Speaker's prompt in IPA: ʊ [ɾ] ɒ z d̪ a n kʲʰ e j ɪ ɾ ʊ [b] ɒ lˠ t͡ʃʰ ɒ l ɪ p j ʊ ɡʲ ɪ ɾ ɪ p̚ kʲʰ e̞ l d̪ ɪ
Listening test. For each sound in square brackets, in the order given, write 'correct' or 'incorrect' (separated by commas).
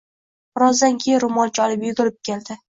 correct, incorrect